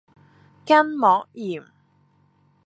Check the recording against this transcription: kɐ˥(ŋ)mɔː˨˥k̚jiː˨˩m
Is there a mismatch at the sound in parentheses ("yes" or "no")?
yes